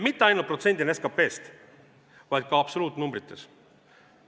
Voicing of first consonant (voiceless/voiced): voiced